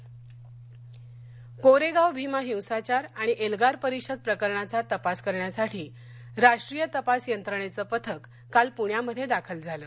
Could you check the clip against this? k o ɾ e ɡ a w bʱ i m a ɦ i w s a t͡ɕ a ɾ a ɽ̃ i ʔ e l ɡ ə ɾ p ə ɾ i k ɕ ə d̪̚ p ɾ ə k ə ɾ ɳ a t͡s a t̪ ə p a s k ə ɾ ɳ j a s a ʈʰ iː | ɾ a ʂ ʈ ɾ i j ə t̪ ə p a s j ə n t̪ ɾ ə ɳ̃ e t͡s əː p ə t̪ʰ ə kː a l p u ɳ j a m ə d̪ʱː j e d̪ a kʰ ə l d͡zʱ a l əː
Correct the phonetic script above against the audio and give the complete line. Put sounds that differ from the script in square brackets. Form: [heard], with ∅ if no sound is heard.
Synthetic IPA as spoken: k o ɾ e ɡ a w bʱ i m a ɦ i w s a t͡ɕ a ɾ a ɽ̃ i ʔ e l ɡ [a] ɾ p ə ɾ i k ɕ ə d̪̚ p ɾ ə k ə ɾ ɳ a t͡s a t̪ ə p a s k ə ɾ ɳ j a s a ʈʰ iː | ɾ a ʂ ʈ ɾ i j ə t̪ ə p a s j ə n t̪ ɾ ə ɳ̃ e t͡s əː p ə t̪ʰ ə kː a l p u ɳ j a m ə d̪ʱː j e d̪ a kʰ ə l d͡zʱ a l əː